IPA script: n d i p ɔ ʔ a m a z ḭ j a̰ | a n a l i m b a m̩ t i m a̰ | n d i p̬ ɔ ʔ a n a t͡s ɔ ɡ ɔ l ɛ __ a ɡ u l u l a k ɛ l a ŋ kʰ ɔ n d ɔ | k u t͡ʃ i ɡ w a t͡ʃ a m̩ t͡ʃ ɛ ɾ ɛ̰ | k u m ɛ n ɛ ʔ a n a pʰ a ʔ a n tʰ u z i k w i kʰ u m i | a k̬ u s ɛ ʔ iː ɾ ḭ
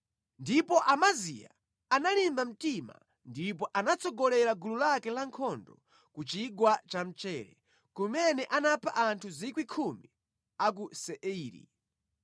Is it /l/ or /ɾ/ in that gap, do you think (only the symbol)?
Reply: ɾ